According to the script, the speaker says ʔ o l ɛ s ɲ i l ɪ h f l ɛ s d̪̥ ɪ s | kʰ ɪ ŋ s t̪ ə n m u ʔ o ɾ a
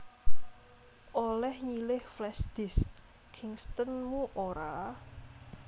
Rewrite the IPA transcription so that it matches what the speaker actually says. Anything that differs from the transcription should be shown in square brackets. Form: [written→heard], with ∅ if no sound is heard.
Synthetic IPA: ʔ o l ɛ [s→h] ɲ i l ɪ h f l ɛ s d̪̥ ɪ s | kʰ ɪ ŋ s t̪ ə n m u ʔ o ɾ a